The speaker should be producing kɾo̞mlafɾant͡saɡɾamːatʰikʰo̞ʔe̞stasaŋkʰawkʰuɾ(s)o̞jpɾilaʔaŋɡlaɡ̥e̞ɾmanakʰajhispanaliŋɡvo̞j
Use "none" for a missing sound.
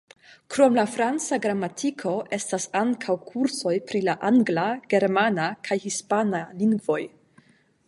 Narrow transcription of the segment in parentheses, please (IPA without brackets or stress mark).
s